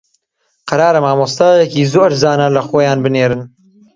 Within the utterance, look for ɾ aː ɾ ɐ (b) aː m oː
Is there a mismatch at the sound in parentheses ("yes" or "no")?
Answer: yes